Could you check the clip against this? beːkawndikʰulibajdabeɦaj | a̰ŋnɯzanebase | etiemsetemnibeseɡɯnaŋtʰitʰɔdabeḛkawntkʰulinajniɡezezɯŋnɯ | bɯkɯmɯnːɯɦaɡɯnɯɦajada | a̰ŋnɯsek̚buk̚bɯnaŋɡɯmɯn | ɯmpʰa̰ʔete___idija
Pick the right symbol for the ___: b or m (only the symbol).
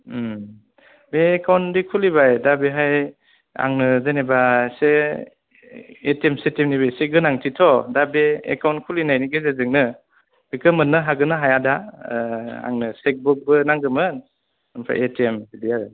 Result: m